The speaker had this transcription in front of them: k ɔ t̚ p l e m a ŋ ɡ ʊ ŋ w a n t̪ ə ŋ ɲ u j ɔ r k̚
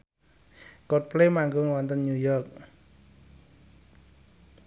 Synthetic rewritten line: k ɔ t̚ p l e m a ŋ ɡ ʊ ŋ w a n t̪ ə n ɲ u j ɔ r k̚

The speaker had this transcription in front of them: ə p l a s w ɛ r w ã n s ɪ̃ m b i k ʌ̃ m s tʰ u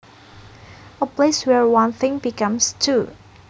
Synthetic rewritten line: ə p l e s w ɛ ɹ w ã n θ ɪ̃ ŋ b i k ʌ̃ m s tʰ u

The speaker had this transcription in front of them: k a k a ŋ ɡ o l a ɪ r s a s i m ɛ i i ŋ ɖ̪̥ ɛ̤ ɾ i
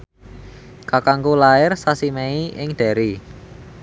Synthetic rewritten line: k a k a ŋ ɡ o l a ɪ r s a s i m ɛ i ɪ ŋ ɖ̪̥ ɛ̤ ɾ i

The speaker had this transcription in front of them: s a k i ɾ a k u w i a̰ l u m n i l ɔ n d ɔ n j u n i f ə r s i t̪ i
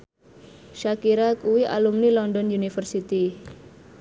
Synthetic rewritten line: ʃ a k i ɾ a k u w i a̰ l u m n i l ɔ n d ɔ n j u n i f ə r s i t̪ i

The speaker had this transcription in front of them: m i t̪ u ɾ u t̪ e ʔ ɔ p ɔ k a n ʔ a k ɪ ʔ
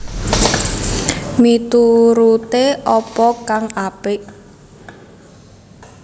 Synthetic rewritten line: m i t̪ u ɾ u t̪ e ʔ ɔ p ɔ k a ŋ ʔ a p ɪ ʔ

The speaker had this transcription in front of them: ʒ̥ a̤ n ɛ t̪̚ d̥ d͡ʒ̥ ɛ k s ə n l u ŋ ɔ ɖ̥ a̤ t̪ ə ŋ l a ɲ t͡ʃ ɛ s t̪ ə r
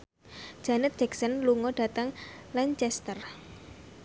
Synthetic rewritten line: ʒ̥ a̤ n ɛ t̪̚ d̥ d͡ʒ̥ ɛ k s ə n l u ŋ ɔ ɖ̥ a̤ t̪ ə ŋ l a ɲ t͡ʃ ɛ s t̪ ə r

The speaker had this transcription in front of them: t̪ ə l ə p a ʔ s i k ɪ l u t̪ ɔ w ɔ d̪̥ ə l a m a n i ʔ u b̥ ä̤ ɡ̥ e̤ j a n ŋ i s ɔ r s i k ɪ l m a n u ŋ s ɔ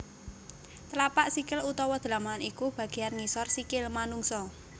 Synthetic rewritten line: t̪ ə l a p a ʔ s i k ɪ l u t̪ ɔ w ɔ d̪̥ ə l a m a n i k u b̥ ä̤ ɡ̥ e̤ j a n ŋ i s ɔ r s i k ɪ l m a n u ŋ s ɔ

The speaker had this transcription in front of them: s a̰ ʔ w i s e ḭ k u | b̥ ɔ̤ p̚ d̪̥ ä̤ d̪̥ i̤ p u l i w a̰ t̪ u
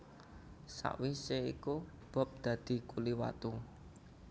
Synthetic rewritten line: s a̰ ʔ w i s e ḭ k u | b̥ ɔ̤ p̚ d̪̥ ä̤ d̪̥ i̤ k u l i w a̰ t̪ u

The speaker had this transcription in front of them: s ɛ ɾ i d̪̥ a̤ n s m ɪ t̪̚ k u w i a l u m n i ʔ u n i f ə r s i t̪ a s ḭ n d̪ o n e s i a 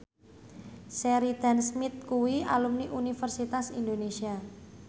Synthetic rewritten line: s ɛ ɾ i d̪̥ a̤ n s m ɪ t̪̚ k u w i a l u m n i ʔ u n i f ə r s i t̪ a s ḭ n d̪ o n e s i a

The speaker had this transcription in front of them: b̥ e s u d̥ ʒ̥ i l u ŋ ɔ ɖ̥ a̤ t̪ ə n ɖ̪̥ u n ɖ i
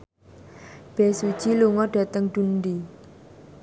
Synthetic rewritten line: b̥ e s u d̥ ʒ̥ i l u ŋ ɔ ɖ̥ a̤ t̪ ə ŋ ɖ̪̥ u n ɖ i

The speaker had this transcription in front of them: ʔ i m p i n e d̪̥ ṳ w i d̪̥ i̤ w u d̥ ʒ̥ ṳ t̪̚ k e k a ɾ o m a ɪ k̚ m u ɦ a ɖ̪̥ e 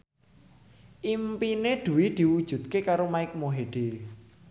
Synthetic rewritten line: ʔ i m p i n e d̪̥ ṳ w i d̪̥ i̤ w u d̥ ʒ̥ ṳ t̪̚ k e k a ɾ o m a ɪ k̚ m o ɦ e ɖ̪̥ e

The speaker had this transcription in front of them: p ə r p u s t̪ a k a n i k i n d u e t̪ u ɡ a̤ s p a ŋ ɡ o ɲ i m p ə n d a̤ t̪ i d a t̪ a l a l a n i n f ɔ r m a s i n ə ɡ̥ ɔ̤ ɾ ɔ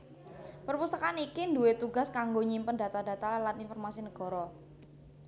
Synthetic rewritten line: p ə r p u s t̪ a k a n i k i n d u e t̪ u ɡ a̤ s k a ŋ ɡ o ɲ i m p ə n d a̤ t̪ a d a t̪ a l a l a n i n f ɔ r m a s i n ə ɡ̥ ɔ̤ ɾ ɔ

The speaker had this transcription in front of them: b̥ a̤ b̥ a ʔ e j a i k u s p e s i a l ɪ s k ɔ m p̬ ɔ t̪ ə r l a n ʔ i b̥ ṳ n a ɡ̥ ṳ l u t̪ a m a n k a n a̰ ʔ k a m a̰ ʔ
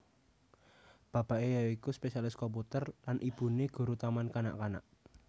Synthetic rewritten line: b̥ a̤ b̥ a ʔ e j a i k u s p e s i a l ɪ s k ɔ m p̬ u t̪ ə r l a n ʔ i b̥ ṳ n e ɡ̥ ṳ ɾ u t̪ a m a n k a n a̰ ʔ k a n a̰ ʔ

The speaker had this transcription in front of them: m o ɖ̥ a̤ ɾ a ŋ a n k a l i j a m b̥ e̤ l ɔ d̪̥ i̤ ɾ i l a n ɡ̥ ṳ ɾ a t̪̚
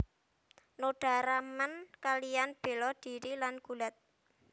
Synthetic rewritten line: n o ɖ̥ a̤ ɾ a m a n k a l i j a n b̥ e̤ l ɔ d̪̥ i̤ ɾ i l a n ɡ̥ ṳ l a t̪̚

